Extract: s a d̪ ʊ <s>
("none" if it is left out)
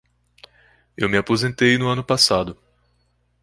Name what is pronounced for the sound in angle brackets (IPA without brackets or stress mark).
none